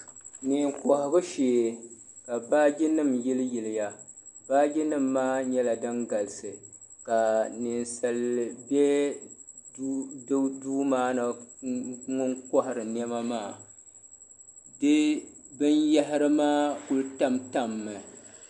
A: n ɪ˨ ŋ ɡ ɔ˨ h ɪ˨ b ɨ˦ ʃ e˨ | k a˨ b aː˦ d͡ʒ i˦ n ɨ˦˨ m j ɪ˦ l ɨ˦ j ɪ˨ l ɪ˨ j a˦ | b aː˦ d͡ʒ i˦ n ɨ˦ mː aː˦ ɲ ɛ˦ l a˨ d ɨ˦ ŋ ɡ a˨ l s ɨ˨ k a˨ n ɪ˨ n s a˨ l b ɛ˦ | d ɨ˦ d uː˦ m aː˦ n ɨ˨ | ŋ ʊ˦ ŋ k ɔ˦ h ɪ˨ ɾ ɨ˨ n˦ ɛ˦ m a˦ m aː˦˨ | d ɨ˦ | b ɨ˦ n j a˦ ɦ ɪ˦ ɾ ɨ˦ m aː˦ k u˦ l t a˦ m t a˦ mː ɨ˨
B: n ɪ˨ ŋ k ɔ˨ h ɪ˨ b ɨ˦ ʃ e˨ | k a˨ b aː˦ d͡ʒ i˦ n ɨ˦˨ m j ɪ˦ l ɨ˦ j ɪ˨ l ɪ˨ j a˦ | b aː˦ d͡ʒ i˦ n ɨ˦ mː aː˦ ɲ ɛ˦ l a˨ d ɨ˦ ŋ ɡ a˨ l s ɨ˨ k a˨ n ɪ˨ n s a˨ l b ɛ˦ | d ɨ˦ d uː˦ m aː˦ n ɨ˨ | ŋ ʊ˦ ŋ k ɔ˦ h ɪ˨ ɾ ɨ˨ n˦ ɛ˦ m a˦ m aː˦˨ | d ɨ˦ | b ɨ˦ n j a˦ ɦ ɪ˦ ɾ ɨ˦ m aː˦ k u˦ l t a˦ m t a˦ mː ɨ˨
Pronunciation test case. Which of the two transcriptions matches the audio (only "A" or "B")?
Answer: B